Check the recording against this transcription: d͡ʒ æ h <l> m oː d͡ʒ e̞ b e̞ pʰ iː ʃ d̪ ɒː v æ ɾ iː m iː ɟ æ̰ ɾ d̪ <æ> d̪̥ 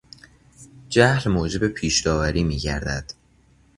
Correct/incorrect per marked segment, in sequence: correct, correct

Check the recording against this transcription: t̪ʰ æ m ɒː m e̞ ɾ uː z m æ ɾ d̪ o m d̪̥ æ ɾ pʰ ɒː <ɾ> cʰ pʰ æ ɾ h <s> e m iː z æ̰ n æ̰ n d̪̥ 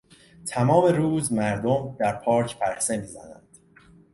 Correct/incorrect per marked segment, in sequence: correct, correct

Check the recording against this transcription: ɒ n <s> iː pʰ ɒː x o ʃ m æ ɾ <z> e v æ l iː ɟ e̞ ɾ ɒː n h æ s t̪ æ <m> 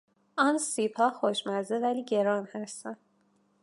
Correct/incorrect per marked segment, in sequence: correct, correct, incorrect: n

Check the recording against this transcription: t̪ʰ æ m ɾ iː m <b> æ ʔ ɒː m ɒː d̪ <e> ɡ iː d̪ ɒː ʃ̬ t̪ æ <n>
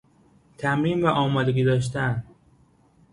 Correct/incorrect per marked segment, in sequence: incorrect: v, correct, correct

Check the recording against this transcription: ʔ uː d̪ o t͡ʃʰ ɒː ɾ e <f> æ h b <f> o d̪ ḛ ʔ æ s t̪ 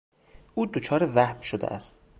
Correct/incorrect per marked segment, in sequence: incorrect: v, incorrect: ʃ

